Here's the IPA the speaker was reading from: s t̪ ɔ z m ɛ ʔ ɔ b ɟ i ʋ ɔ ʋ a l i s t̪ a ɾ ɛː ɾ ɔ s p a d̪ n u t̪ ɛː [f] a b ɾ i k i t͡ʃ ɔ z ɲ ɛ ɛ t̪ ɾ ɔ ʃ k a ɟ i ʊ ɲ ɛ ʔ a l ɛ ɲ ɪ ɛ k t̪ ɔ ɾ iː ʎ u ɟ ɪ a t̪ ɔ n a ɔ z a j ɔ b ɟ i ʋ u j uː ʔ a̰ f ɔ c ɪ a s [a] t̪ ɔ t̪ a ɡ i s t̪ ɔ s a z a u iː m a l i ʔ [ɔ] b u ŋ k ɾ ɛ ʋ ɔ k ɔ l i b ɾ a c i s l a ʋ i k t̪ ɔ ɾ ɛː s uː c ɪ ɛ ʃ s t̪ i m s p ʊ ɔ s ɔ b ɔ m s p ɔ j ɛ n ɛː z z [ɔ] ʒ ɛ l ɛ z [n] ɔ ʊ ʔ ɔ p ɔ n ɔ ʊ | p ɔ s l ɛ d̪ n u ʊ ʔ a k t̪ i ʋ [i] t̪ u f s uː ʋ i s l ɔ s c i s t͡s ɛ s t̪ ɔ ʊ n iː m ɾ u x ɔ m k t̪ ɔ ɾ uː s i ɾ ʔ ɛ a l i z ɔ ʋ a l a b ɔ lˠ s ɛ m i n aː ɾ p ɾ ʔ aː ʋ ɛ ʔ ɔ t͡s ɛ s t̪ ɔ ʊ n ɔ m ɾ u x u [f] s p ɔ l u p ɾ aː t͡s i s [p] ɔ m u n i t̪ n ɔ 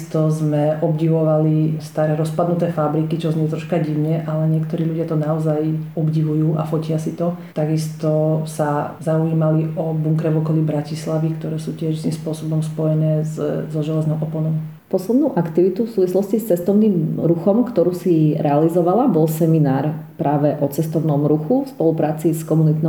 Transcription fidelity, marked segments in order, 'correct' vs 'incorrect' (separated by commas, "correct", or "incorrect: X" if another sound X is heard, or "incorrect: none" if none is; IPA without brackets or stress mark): correct, incorrect: i, correct, correct, correct, correct, correct, incorrect: k